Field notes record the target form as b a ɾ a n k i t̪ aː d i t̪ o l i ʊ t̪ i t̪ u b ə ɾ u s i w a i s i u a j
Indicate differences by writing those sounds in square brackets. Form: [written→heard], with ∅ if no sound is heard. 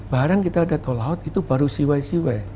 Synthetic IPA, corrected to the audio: b a ɾ a [n→ŋ] k i t̪ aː d [i→a] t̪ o l [i→a] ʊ t̪ i t̪ u b [ə→a] ɾ u s i w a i s i [u→w] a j